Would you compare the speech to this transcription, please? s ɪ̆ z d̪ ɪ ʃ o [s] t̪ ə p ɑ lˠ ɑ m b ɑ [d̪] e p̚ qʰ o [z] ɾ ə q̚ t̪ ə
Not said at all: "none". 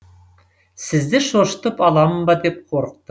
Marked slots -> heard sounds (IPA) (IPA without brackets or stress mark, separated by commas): ʃ, d̪, none